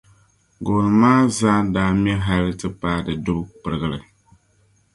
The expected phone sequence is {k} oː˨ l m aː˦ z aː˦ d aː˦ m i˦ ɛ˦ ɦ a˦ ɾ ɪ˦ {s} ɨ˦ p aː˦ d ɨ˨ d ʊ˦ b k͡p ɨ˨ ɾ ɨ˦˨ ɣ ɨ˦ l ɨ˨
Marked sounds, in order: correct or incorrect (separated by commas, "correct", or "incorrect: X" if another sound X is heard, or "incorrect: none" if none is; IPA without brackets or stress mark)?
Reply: incorrect: ɡ, incorrect: t